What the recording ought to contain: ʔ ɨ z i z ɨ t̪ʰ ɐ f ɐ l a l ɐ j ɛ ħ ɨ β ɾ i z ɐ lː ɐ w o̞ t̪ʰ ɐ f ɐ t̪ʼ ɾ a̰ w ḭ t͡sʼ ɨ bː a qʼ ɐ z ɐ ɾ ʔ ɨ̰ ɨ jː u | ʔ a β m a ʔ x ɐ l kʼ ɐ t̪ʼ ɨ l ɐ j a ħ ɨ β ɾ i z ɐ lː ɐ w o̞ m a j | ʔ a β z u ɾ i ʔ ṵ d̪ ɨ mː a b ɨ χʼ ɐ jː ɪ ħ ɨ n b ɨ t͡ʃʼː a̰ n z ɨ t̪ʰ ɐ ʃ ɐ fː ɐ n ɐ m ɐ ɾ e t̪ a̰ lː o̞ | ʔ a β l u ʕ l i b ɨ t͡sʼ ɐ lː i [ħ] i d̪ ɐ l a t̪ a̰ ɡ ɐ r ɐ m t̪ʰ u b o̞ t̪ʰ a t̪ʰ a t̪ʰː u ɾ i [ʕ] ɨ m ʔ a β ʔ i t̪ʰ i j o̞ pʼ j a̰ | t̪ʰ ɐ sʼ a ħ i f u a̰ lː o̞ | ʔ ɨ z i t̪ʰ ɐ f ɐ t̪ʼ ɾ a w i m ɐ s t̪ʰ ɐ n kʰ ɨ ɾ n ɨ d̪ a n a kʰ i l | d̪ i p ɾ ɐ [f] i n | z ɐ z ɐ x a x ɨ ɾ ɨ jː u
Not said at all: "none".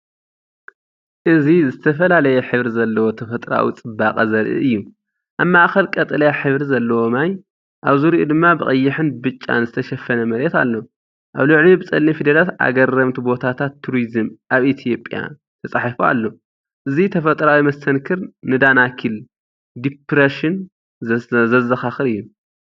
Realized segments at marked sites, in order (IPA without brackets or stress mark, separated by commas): f, z, ʃ